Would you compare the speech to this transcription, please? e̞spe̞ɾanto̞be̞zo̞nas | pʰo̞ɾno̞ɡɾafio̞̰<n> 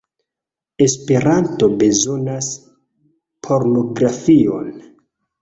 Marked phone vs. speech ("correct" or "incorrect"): correct